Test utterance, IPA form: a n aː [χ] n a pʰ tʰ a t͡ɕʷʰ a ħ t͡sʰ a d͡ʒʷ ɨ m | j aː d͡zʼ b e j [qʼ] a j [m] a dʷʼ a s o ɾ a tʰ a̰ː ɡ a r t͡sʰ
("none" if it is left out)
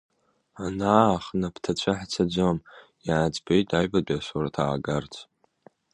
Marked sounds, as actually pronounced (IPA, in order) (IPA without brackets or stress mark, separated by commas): χ, tʼ, b